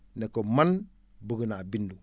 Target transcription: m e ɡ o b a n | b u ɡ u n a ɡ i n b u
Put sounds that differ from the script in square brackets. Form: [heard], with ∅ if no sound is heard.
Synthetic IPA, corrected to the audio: [n] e [k] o [m] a n | b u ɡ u n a [b] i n [d] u